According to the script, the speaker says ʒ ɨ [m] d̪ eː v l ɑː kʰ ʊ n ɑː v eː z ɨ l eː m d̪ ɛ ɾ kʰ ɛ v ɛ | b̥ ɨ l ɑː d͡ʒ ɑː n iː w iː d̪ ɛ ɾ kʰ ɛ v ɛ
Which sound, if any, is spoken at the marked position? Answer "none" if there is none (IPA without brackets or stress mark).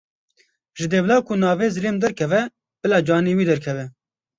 none